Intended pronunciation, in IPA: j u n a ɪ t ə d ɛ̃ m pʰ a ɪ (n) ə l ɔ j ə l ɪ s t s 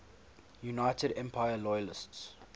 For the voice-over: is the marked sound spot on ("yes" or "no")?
no